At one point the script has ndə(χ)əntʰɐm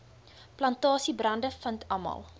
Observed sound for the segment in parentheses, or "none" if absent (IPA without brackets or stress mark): f